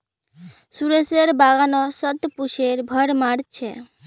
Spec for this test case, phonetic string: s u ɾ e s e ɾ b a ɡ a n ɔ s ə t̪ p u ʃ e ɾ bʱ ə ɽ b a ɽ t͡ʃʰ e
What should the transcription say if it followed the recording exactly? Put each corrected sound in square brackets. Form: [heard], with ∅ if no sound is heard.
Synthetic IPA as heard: s u ɾ e s e ɾ b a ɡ a n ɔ s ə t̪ p u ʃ e ɾ bʱ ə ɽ [m] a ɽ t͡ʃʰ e